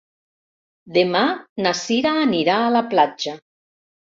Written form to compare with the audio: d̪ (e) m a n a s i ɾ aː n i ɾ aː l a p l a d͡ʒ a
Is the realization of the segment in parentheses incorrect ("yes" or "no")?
no